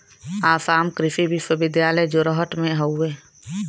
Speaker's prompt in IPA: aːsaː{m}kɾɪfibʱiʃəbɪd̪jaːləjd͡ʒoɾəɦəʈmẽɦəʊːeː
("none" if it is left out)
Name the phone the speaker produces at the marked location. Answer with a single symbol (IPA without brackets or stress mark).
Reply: m